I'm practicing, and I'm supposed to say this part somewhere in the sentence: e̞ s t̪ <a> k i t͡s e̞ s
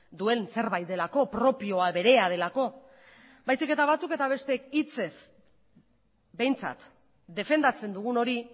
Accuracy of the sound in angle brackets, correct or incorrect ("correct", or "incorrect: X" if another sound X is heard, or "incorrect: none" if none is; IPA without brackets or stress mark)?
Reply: incorrect: e